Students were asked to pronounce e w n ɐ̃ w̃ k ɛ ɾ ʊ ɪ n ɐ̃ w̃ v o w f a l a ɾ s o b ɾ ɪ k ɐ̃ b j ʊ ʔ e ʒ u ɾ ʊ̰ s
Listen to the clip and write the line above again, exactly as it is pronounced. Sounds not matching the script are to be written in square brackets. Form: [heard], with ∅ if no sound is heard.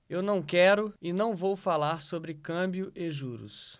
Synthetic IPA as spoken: e w n ɐ̃ w̃ k ɛ ɾ ʊ ɪ n ɐ̃ w̃ v o w f a l a ɾ s o b ɾ ɪ k ɐ̃ b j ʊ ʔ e ʒ u ɾ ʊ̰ s